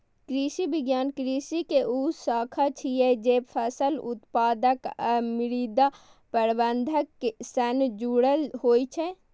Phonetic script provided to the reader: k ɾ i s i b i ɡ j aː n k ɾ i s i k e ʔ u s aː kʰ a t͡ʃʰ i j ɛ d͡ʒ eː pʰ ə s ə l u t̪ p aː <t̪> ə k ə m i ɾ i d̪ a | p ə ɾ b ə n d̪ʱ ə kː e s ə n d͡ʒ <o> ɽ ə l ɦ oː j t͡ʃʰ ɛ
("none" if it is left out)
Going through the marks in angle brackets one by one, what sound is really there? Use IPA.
d̪, u

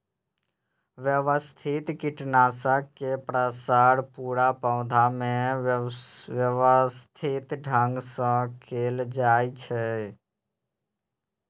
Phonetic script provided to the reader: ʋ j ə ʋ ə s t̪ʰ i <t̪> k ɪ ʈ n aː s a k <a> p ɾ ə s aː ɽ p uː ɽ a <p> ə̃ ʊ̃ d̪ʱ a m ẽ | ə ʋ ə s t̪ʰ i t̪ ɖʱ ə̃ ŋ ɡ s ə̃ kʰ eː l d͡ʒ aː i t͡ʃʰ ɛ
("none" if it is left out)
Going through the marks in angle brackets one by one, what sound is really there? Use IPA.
t̪, e, p

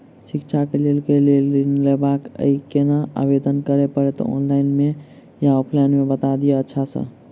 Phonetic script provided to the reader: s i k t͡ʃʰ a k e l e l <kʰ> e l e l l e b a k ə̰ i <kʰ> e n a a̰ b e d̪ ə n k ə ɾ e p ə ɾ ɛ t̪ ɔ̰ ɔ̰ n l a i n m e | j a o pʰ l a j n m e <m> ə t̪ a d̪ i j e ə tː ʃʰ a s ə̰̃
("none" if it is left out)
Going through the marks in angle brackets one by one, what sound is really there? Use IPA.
k, k, b

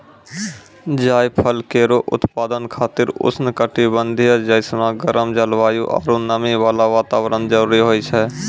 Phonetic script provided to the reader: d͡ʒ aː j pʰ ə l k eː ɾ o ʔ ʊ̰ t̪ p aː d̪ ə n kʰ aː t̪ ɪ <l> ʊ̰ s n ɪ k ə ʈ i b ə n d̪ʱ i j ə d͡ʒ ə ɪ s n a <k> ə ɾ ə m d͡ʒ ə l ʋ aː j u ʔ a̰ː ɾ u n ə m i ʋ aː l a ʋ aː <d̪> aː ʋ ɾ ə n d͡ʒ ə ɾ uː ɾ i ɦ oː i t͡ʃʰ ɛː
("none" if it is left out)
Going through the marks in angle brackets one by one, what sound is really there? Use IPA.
ɾ, ɡ, t̪

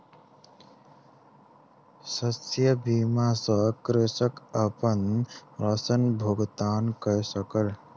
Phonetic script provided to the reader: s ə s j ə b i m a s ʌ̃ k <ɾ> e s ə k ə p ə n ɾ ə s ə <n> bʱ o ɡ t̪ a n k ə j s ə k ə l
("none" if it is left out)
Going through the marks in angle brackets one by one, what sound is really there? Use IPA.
ɾ, n

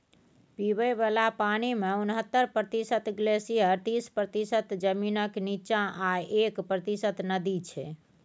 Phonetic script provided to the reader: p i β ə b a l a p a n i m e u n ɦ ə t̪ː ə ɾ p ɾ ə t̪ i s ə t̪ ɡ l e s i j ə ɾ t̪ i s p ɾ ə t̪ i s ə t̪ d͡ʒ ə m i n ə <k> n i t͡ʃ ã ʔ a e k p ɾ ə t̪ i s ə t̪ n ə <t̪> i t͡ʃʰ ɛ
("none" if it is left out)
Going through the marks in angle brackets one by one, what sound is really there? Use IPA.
k, d̪

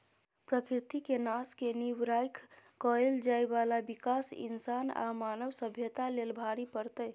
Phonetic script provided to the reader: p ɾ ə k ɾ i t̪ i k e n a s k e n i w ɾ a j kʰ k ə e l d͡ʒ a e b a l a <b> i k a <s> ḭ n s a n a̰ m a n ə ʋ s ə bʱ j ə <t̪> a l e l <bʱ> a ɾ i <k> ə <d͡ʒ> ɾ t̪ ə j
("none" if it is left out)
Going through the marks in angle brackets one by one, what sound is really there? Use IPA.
b, s, t̪, bʱ, p, none

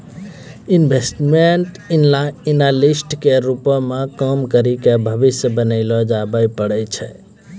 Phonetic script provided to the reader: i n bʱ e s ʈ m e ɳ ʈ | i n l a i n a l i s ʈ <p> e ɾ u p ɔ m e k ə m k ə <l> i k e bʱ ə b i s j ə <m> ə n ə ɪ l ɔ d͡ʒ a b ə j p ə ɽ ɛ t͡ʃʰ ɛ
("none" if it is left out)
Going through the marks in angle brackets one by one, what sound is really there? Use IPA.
k, ɾ, b

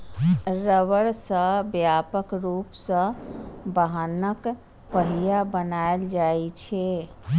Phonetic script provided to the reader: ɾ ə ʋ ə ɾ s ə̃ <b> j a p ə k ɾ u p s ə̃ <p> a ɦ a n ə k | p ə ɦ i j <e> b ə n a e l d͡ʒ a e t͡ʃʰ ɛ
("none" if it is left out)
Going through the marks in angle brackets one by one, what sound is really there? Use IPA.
b, b, a

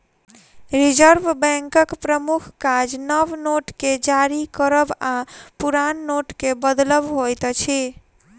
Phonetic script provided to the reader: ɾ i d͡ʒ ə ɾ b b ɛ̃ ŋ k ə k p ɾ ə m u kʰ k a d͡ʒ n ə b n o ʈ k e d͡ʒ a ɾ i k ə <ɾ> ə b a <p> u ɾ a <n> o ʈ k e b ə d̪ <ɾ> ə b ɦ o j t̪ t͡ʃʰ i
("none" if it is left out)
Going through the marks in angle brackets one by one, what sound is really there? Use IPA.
ɾ, p, nː, l

